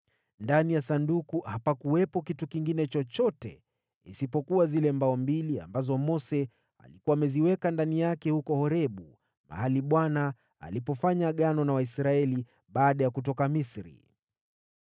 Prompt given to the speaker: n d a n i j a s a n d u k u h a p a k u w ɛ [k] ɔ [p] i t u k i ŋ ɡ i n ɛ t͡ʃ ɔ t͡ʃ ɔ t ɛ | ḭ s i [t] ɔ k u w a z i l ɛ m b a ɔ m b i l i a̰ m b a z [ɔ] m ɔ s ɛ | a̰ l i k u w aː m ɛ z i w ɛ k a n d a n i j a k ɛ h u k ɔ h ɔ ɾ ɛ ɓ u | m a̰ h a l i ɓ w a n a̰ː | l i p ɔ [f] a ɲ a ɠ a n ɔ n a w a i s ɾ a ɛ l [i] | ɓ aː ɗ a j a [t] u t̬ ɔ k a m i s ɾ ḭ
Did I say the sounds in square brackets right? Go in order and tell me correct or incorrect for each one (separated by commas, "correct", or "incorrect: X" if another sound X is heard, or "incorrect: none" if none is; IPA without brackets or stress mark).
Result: incorrect: p, incorrect: k, incorrect: p, correct, correct, correct, incorrect: k